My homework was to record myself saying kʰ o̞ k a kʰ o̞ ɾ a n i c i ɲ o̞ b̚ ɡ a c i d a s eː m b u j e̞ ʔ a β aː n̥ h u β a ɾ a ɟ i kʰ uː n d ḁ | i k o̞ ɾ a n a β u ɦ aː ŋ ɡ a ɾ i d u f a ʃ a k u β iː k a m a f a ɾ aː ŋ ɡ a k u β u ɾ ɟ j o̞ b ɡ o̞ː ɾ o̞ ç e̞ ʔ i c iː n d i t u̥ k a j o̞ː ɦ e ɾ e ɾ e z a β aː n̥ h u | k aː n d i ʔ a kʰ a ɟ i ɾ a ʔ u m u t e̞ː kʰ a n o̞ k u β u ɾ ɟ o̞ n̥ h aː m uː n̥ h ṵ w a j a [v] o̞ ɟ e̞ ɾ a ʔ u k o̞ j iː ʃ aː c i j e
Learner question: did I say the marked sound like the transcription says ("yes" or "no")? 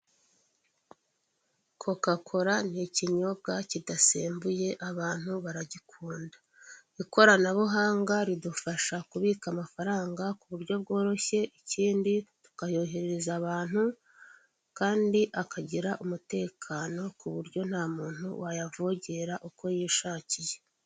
yes